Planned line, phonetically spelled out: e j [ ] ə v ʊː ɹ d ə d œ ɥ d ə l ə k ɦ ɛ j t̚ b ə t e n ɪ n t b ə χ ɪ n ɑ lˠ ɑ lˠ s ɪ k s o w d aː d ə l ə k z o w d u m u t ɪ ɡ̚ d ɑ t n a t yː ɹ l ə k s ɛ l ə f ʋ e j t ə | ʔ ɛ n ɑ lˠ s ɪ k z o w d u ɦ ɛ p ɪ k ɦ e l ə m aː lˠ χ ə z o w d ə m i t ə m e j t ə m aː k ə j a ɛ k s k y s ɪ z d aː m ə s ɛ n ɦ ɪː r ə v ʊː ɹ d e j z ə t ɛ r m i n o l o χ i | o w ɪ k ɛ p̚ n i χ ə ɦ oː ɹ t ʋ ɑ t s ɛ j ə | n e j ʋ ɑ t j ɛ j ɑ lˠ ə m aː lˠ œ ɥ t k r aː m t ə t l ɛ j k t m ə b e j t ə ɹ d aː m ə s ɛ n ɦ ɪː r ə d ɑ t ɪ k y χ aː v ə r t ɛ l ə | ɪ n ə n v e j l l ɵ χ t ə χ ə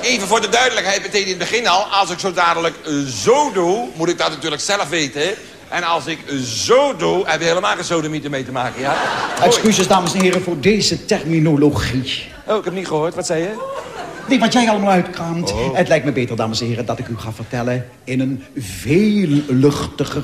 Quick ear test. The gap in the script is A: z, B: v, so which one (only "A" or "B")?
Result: B